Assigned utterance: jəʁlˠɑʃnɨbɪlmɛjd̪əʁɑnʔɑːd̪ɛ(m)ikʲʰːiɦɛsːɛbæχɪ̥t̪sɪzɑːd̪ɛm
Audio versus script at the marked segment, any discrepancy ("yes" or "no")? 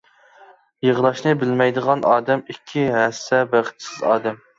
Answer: no